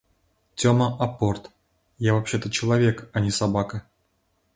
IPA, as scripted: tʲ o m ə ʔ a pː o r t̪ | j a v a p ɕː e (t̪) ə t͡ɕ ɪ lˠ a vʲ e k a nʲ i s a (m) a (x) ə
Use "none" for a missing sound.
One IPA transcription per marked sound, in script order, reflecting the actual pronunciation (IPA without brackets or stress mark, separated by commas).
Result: t̪, b, k